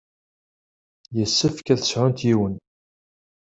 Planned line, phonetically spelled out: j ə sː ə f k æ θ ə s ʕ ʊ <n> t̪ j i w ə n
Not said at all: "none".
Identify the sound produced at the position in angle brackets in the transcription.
n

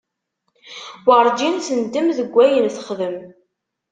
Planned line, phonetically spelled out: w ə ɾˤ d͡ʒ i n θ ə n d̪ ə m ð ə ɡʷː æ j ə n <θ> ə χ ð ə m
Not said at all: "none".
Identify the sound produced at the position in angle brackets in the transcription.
θ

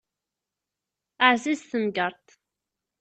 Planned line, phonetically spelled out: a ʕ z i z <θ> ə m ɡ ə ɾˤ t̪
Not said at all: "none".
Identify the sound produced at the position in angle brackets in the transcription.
θ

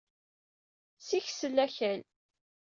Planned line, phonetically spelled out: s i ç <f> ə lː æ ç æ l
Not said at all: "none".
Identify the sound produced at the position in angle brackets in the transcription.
s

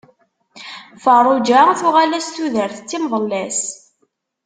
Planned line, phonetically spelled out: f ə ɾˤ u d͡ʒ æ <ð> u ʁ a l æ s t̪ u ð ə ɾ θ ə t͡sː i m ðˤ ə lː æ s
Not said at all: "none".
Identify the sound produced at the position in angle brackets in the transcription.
θ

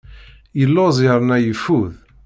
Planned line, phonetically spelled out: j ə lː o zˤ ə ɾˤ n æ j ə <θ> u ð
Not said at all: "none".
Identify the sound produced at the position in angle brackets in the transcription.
f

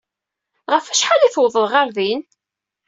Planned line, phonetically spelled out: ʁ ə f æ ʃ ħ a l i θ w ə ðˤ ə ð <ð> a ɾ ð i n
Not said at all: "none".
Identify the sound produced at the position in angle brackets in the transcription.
ʁ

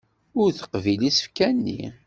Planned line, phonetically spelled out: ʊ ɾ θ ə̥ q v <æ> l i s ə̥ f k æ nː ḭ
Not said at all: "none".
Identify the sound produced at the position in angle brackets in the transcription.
i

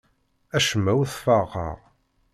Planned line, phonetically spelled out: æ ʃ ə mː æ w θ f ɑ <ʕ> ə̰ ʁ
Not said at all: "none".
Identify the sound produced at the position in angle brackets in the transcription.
ʁ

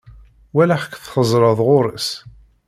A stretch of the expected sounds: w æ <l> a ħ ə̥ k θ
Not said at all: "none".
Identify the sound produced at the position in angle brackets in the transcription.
l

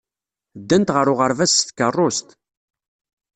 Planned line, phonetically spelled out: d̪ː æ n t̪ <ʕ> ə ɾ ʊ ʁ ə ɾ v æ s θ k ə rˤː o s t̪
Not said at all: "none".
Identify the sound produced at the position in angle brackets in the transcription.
ʁ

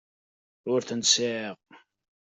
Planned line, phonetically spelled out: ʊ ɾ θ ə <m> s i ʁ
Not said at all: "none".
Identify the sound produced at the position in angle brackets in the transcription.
n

